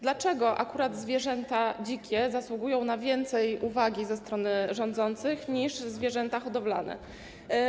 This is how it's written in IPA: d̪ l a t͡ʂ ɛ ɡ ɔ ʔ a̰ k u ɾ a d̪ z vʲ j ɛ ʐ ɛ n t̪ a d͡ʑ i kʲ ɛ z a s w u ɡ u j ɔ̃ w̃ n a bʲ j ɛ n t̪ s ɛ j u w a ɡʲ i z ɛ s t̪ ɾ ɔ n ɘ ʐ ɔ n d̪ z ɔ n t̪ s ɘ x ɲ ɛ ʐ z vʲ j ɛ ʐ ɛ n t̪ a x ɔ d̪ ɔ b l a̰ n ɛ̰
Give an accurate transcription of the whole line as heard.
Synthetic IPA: d̪ l a t͡ʂ ɛ ɡ ɔ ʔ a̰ k u ɾ a d̪ z vʲ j ɛ ʐ ɛ n t̪ a d͡ʑ i kʲ ɛ z a s w u ɡ u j ɔ̃ w̃ n a vʲ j ɛ n t̪ s ɛ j u v a ɡʲ i z ɛ s t̪ ɾ ɔ n ɘ ʐ ɔ n d̪ z ɔ n t̪ s ɘ x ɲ i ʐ z vʲ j ɛ ʐ ɛ n t̪ a x ɔ d̪ ɔ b l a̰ n ɛ̰

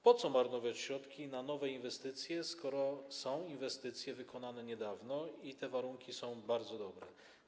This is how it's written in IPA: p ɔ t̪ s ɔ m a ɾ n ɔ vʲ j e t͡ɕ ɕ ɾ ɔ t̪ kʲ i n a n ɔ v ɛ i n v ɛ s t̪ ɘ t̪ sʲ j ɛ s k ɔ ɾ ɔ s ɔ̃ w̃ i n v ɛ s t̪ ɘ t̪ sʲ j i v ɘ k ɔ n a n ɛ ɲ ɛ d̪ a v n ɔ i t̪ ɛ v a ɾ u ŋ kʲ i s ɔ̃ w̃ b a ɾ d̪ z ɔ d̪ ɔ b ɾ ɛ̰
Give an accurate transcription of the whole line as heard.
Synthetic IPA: p ɔ t̪ s ɔ m a ɾ n ɔ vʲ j a t͡ɕ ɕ ɾ ɔ t̪ kʲ i n a n ɔ v ɛ i n v ɛ s t̪ ɘ t̪ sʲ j ɛ s k ɔ ɾ ɔ s ɔ̃ w̃ i n v ɛ s t̪ ɘ t̪ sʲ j ɛ v ɘ k ɔ n a n ɛ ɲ ɛ d̪ a v n ɔ i t̪ ɛ v a ɾ u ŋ kʲ i s ɔ̃ w̃ b a ɾ d̪ z ɔ d̪ ɔ b ɾ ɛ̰

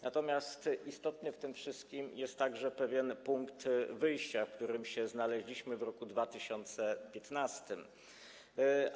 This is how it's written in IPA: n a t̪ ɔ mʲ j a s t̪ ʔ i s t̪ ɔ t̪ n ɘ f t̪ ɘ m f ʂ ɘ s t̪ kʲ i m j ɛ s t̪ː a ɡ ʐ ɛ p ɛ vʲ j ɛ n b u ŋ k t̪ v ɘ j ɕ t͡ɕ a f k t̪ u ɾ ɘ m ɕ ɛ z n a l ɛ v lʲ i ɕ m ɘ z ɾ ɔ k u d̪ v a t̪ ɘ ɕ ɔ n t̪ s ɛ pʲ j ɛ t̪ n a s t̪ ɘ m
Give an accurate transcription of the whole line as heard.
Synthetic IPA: n a t̪ ɔ mʲ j a s t̪ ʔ i s t̪ ɔ t̪ n ɘ f t̪ ɘ m f ʂ ɘ s t̪ kʲ i m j ɛ s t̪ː a ɡ ʐ ɛ p ɛ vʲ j ɛ n p u ŋ k t̪ v ɘ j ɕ t͡ɕ a f k t̪ u ɾ ɘ m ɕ ɛ z n a l ɛ ʑ lʲ i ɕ m ɘ v ɾ ɔ k u d̪ v a t̪ ɘ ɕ ɔ n t̪ s ɛ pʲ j ɛ t̪ n a s t̪ ɘ m

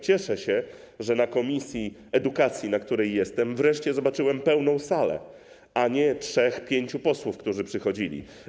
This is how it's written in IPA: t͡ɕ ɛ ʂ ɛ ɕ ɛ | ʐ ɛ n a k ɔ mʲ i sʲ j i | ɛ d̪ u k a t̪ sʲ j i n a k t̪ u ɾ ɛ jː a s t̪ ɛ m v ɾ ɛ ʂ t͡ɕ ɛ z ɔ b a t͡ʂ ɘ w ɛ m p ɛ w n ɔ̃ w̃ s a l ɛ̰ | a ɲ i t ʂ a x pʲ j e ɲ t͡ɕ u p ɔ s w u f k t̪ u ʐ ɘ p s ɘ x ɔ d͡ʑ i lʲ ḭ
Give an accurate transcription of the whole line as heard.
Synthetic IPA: t͡ɕ ɛ ʂ ɛ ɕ ɛ | ʐ ɛ n a k ɔ mʲ i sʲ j i | ɛ d̪ u k a t̪ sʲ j i n a k t̪ u ɾ ɛ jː ɛ s t̪ ɛ m v ɾ ɛ ʂ t͡ɕ ɛ z ɔ b a t͡ʂ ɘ w ɛ m p ɛ w n ɔ̃ w̃ s a l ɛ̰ | a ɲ ɛ t ʂ ɛ x pʲ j e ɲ t͡ɕ u p ɔ s w u f k t̪ u ʐ ɘ p ʂ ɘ x ɔ d͡ʑ i lʲ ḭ

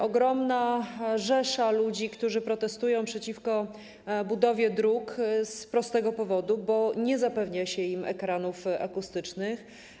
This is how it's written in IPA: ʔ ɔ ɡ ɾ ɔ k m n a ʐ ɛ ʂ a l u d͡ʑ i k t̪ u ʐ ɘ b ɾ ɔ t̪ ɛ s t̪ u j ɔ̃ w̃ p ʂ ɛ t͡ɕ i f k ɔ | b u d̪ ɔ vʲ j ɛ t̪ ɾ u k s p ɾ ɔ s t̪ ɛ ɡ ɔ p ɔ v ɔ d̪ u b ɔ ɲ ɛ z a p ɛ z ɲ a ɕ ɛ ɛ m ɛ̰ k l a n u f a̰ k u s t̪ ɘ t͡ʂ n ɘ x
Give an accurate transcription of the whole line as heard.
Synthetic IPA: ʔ ɔ ɡ ɾ ɔ m n a ʐ ɛ ʂ a l u d͡ʑ i k t̪ u ʐ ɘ p ɾ ɔ t̪ ɛ s t̪ u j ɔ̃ w̃ p ʂ ɛ t͡ɕ i f k ɔ | b u d̪ ɔ vʲ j ɛ d̪ ɾ u k s p ɾ ɔ s t̪ ɛ ɡ ɔ p ɔ v ɔ d̪ u b ɔ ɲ ɛ z a p ɛ v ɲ a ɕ ɛ i m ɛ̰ k ɾ a n u f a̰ k u s t̪ ɘ t͡ʂ n ɘ x

